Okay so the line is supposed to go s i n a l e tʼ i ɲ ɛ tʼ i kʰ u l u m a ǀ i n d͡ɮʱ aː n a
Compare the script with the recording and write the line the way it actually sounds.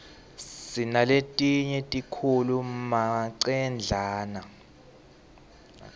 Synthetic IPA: s i n a l e tʼ i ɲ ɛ tʼ i kʰ u l u m a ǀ ɛ n d͡ɮʱ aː n a